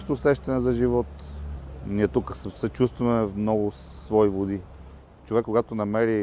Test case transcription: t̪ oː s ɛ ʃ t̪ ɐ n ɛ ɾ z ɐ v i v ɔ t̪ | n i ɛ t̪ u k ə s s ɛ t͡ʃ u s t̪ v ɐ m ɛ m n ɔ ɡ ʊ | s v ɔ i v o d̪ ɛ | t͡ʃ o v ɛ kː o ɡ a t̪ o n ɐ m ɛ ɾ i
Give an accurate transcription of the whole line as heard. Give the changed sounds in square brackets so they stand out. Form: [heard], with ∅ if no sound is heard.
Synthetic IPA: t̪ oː s ɛ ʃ t̪ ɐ n ɛ [∅] z ɐ [ʒ] i v ɔ t̪ | n i ɛ t̪ u k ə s s ɛ t͡ʃ u s t̪ v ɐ m ɛ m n ɔ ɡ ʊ | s v ɔ i v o d̪ [i] | t͡ʃ o v ɛ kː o ɡ a t̪ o n ɐ m ɛ ɾ i